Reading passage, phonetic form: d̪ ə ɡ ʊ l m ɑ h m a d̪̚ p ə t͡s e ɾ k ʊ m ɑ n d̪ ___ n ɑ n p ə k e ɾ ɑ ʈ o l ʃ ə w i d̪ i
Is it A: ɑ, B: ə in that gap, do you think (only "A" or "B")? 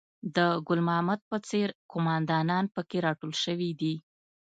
A